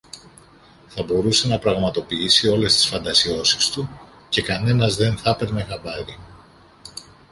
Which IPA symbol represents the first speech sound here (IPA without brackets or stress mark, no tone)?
θ